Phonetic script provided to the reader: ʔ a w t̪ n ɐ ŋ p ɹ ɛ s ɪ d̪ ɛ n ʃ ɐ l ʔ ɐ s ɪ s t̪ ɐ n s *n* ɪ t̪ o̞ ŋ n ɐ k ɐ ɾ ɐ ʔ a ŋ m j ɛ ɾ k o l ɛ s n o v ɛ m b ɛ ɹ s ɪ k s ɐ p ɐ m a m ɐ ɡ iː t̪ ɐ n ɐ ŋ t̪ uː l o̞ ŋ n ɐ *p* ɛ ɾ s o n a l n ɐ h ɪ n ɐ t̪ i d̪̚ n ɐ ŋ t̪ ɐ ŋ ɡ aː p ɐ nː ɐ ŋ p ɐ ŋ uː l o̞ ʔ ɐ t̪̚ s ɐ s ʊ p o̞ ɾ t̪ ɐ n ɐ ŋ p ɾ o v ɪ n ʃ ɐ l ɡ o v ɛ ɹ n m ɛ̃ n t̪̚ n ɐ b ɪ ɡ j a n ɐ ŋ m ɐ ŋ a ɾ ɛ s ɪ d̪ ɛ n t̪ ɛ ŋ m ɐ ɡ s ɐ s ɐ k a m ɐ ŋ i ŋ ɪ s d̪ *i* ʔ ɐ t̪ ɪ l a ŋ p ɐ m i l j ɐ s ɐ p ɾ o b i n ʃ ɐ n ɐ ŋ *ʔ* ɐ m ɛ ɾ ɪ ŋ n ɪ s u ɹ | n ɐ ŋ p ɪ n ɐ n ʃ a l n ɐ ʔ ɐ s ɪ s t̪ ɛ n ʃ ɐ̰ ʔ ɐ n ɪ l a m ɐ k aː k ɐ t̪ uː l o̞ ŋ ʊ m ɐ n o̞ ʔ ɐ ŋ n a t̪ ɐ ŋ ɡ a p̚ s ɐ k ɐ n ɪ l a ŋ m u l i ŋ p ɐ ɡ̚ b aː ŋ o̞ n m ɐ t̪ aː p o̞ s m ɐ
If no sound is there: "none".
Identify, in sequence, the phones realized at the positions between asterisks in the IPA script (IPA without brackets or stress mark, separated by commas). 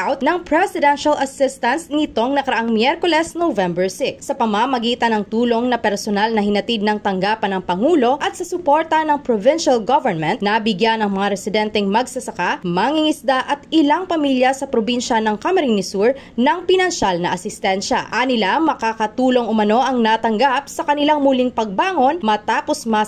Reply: n, p, a, k